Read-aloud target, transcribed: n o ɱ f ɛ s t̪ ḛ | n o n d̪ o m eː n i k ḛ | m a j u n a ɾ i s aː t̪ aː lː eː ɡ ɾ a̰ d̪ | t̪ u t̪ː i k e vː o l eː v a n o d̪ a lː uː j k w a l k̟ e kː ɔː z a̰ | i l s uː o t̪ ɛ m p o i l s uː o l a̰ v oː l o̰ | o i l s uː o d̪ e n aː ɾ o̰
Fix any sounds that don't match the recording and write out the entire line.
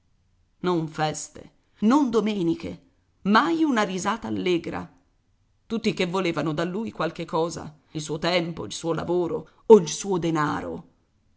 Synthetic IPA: n o ɱ f ɛ s t̪ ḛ | n o n d̪ o m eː n i k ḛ | m a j u n a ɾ i z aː t̪ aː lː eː ɡ ɾ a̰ | t̪ u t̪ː i k e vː o l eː v a n o d̪ a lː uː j k w a l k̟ e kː ɔː z a̰ | i l s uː o t̪ ɛ m p o i l s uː o l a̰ v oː ɾ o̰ | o i l s uː o d̪ e n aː ɾ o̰